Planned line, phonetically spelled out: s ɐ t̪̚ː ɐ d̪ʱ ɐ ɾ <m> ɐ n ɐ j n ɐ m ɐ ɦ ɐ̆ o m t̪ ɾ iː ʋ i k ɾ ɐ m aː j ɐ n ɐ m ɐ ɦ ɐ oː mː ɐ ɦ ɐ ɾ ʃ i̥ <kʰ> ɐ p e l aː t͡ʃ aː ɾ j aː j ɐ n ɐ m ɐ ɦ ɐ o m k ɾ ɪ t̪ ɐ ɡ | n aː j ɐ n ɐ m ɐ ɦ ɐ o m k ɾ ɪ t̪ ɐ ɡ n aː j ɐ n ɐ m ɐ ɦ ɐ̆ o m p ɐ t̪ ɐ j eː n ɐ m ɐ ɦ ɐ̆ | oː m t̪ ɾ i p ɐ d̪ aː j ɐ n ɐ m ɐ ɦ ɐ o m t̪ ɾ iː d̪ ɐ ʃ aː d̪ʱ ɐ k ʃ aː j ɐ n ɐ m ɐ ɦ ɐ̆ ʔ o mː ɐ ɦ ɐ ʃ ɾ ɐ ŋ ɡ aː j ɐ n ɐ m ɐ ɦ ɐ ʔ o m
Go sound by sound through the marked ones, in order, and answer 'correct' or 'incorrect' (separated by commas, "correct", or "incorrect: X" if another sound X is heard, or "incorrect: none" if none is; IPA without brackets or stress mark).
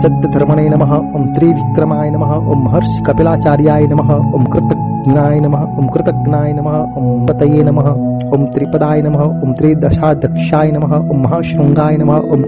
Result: correct, incorrect: k